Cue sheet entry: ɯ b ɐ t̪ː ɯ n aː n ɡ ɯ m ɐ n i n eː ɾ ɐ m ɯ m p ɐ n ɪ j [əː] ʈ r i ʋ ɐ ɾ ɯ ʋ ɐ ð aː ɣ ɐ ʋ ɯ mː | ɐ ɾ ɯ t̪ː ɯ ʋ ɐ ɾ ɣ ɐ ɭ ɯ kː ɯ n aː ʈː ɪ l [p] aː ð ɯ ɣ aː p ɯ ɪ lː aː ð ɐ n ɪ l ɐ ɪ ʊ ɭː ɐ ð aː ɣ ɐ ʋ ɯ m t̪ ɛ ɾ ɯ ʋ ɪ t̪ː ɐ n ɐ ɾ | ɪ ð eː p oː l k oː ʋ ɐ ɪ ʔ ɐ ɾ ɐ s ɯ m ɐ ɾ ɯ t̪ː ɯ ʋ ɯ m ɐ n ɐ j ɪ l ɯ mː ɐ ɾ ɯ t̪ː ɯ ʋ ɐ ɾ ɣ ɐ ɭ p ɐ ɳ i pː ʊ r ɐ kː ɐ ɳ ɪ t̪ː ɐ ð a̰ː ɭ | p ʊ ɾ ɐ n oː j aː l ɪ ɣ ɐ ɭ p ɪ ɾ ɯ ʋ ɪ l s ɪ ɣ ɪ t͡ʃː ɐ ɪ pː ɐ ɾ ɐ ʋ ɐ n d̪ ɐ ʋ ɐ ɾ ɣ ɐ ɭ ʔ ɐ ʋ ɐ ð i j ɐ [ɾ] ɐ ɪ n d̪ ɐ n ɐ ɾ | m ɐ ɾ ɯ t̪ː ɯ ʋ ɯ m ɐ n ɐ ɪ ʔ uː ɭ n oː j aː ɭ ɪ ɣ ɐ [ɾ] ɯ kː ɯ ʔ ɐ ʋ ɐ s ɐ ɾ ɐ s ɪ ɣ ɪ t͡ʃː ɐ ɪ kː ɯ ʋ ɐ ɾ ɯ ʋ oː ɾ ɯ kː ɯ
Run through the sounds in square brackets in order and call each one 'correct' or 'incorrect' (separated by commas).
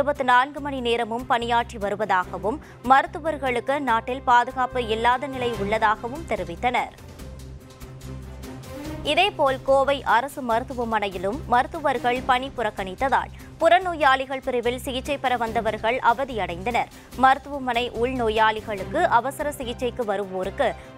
incorrect, correct, incorrect, incorrect